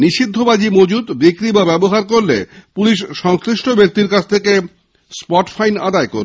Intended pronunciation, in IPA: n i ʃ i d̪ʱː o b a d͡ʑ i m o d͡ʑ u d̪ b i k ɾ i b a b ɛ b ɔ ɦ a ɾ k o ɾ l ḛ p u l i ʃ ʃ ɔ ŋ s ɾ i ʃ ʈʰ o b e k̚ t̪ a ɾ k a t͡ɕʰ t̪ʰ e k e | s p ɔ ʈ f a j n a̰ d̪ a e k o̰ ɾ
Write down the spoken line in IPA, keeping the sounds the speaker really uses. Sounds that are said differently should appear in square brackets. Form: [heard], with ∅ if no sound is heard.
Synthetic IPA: n i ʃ i d̪ʱː o b a d͡ʑ i m o d͡ʑ u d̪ b i k ɾ i b a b ɛ b [o] ɦ a ɾ k o ɾ l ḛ p u l i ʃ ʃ ɔ ŋ s ɾ i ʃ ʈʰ o b e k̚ t̪ [i] ɾ k a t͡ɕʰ t̪ʰ e k e | s p ɔ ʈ f a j n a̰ d̪ a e k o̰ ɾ